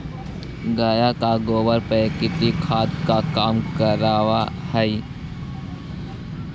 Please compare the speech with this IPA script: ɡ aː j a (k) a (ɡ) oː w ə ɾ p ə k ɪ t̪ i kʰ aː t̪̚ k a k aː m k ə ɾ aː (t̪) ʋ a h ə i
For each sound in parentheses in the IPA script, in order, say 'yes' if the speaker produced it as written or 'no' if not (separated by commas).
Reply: yes, yes, no